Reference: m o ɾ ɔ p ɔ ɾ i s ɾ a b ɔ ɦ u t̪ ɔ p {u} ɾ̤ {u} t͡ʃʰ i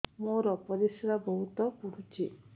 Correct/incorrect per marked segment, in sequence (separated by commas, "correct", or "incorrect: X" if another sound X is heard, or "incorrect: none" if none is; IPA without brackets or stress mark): correct, correct